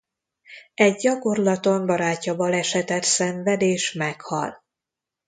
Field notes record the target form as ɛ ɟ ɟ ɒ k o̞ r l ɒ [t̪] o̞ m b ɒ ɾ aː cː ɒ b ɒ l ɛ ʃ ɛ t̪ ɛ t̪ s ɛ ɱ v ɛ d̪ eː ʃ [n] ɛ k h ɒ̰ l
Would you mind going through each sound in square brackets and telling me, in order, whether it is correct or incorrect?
correct, incorrect

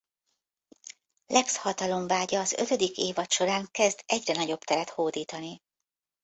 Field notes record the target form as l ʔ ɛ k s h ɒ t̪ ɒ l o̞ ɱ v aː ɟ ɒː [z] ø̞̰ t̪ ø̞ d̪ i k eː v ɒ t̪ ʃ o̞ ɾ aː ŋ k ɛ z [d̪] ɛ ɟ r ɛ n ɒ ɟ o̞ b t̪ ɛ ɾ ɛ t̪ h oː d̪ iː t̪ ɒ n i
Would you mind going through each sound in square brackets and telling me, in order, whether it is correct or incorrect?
correct, correct

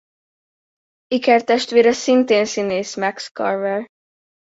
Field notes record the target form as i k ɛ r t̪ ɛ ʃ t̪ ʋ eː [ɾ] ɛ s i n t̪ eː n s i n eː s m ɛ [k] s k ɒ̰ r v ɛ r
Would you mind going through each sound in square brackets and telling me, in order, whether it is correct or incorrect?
correct, correct

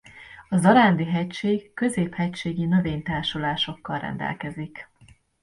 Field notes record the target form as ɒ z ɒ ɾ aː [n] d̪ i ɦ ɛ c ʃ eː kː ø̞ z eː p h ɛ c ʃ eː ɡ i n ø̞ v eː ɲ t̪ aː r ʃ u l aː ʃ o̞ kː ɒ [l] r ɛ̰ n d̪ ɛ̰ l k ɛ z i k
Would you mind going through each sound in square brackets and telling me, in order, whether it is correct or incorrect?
correct, correct

